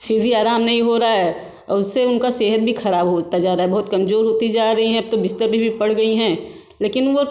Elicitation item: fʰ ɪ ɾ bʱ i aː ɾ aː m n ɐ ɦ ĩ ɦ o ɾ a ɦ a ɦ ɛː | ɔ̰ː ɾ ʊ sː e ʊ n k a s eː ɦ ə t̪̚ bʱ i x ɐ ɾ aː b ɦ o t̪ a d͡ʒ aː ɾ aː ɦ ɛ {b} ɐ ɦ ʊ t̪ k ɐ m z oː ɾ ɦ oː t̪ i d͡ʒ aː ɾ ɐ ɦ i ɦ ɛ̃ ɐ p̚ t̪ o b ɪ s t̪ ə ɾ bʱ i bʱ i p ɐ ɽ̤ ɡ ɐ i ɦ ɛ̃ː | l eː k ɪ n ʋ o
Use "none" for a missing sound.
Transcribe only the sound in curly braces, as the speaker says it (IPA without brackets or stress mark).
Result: b